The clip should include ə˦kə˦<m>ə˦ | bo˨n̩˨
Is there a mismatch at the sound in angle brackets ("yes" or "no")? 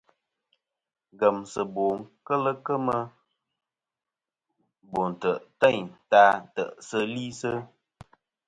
no